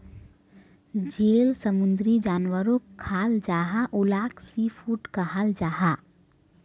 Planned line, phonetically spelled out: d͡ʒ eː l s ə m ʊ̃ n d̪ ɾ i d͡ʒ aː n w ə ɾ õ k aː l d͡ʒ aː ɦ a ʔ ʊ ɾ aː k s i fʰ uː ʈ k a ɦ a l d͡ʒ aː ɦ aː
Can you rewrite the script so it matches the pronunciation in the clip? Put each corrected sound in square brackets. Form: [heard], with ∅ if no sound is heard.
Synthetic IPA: d͡ʒ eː l s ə m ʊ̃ n d̪ ɾ i d͡ʒ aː n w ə ɾ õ [kʰ] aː l d͡ʒ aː ɦ a ʔ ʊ [l] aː k s i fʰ uː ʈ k a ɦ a l d͡ʒ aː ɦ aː